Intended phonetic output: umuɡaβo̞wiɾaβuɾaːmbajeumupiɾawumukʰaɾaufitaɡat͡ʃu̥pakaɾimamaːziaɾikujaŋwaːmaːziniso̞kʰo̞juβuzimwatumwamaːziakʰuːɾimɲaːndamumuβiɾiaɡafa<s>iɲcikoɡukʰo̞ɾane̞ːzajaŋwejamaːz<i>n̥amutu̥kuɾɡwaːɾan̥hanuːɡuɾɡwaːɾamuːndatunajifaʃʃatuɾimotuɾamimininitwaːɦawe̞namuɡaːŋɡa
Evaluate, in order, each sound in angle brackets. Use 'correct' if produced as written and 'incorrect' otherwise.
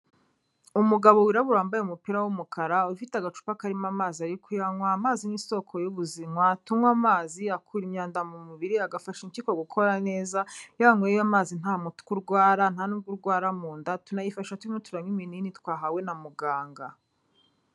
incorrect: ʃ, correct

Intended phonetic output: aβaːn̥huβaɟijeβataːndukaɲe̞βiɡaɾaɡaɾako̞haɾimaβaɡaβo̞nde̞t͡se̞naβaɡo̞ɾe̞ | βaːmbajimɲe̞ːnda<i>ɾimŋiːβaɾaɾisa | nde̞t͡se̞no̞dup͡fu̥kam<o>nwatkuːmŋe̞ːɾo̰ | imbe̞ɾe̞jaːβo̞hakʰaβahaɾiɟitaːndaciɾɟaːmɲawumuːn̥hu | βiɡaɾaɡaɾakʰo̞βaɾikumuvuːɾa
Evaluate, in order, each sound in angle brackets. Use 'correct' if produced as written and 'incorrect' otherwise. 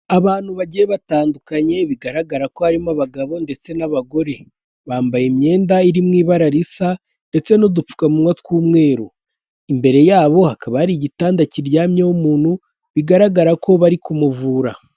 correct, incorrect: u

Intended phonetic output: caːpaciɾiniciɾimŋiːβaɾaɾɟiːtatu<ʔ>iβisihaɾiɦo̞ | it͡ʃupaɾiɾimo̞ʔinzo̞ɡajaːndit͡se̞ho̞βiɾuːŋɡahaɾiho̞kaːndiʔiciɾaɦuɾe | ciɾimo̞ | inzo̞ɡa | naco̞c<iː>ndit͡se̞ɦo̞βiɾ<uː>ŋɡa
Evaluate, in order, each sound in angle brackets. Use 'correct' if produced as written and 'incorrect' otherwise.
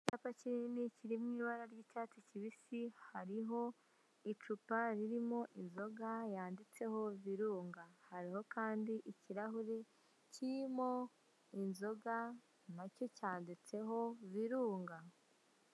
incorrect: c, incorrect: aː, correct

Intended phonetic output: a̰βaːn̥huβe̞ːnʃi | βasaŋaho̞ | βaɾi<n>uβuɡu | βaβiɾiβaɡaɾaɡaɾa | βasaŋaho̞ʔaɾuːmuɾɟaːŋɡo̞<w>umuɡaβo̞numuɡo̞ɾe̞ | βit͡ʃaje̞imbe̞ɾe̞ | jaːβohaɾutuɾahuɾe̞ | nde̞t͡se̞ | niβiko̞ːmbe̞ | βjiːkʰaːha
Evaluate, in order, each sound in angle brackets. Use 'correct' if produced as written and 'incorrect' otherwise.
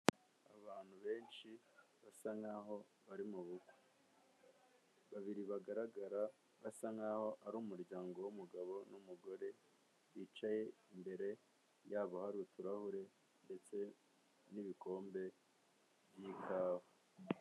incorrect: m, correct

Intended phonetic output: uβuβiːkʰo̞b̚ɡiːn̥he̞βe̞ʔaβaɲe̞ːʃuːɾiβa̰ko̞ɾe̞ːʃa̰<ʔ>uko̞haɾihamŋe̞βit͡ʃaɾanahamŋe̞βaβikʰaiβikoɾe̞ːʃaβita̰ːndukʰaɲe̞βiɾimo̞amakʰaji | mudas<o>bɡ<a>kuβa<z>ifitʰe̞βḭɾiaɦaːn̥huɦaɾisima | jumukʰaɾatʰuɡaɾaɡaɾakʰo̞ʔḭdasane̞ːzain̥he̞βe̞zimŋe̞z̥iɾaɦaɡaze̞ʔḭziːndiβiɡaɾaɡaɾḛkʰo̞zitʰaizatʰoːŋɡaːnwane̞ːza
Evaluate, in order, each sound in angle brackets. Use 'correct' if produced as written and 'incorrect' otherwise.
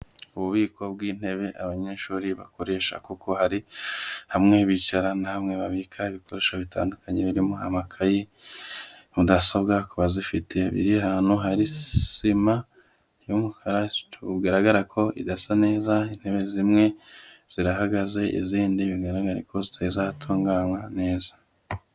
incorrect: k, correct, correct, correct

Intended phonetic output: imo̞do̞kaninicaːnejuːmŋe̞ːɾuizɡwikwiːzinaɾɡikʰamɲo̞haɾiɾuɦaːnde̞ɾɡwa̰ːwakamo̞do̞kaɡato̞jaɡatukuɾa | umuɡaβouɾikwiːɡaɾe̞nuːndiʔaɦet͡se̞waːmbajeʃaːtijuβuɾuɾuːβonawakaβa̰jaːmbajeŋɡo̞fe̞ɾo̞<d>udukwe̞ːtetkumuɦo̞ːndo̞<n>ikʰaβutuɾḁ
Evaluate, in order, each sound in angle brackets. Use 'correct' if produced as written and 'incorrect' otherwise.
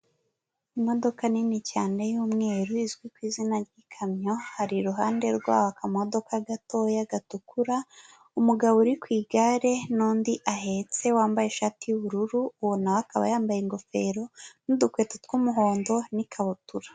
incorrect: n, correct

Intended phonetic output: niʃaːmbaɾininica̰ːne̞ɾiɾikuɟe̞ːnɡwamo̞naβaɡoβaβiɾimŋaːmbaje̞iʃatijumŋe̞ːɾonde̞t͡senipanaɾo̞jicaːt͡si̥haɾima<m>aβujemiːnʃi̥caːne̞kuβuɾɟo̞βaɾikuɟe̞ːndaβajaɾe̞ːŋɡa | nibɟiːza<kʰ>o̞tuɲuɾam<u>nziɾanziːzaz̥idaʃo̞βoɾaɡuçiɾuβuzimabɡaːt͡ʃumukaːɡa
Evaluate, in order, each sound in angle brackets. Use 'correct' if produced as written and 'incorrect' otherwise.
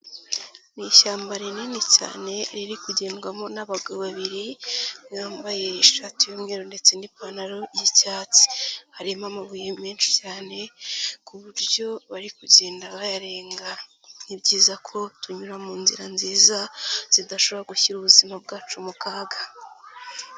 correct, correct, incorrect: uː

